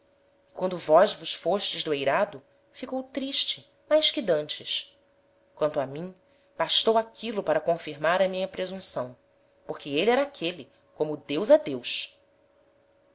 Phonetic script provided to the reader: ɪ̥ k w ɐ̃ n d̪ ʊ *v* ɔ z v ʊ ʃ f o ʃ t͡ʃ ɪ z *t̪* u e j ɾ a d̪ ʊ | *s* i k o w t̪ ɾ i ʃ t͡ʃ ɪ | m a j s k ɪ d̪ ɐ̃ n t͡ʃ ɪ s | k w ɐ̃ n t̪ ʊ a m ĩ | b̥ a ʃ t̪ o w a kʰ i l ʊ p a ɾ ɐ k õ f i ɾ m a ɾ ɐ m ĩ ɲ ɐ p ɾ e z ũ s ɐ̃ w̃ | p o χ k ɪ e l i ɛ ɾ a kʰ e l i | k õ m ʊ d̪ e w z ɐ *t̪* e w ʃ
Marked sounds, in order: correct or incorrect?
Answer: correct, incorrect, incorrect, incorrect

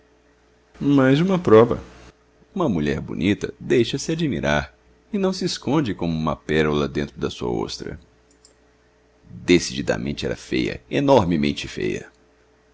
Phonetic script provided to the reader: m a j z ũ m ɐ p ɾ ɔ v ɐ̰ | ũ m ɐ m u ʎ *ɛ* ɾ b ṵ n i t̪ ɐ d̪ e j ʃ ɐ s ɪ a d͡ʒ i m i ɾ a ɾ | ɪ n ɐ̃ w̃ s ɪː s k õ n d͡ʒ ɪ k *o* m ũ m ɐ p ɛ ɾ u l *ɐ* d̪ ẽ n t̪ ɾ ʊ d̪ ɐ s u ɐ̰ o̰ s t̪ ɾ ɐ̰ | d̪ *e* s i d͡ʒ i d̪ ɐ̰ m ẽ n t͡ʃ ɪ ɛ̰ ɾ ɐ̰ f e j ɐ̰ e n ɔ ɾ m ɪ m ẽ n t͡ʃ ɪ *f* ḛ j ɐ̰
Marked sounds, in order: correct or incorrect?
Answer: correct, incorrect, correct, correct, correct

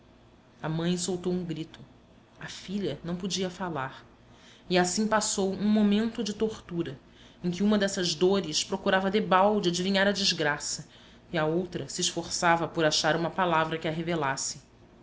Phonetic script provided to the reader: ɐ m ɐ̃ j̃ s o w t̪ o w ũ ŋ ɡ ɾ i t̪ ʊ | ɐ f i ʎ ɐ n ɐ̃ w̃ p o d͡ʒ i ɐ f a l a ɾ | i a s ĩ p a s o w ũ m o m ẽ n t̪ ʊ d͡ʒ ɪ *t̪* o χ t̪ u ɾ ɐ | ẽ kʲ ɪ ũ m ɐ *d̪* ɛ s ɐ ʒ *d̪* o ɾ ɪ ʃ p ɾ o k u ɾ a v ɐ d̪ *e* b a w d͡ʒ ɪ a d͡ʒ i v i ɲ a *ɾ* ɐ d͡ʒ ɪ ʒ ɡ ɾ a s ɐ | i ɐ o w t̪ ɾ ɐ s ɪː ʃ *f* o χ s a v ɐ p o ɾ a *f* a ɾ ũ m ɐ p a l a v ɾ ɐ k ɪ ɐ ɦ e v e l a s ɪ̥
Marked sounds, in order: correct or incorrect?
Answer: correct, correct, correct, correct, correct, correct, incorrect

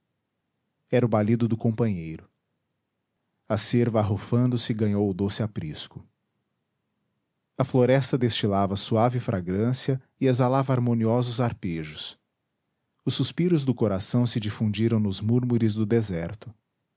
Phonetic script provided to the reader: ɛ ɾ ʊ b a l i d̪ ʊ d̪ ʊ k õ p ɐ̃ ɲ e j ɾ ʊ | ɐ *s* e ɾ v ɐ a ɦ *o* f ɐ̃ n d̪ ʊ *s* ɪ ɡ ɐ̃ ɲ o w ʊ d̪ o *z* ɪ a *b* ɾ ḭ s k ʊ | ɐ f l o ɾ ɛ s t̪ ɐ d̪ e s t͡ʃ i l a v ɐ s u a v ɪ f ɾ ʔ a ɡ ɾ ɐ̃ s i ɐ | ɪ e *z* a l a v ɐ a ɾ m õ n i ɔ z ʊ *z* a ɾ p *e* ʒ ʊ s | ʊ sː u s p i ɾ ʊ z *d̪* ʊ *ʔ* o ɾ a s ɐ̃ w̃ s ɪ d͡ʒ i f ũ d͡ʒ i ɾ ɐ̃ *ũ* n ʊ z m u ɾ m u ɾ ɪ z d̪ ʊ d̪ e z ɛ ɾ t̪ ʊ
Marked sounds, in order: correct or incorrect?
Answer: correct, correct, correct, incorrect, incorrect, correct, correct, correct, correct, incorrect, incorrect

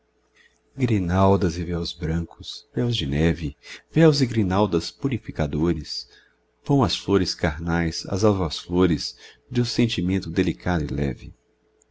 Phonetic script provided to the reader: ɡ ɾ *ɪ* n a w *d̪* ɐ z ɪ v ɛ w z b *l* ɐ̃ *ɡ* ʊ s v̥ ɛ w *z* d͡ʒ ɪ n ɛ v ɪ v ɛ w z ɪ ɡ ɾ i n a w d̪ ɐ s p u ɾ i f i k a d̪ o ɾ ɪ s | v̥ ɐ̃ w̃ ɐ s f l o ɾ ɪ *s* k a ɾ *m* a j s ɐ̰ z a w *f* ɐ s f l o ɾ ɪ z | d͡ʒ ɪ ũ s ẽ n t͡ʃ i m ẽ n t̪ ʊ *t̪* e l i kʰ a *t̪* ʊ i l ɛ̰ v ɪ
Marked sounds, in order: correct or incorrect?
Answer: incorrect, correct, incorrect, incorrect, correct, correct, incorrect, incorrect, incorrect, incorrect

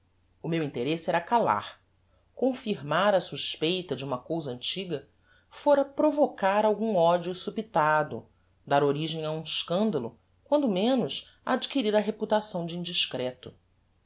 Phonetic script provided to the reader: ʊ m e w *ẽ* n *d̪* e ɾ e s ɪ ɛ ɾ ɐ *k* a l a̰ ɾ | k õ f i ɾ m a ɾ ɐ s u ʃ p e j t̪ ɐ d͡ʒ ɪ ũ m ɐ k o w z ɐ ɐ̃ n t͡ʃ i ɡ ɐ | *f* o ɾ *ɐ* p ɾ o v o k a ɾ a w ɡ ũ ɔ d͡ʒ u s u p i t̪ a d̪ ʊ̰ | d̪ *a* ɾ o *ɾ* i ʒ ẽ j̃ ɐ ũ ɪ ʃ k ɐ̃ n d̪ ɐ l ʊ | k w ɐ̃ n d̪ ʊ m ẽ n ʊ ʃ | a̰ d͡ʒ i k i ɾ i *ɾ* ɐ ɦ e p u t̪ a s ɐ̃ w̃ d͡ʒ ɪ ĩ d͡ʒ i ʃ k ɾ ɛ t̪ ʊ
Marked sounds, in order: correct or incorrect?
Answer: incorrect, incorrect, correct, correct, correct, correct, correct, correct

